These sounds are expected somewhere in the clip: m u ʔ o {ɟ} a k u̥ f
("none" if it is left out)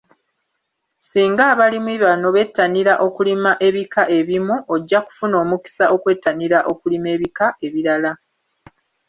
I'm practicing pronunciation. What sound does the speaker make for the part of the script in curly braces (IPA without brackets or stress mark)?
ɟː